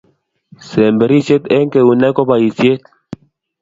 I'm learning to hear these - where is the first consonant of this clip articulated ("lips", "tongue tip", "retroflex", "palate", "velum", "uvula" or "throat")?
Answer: tongue tip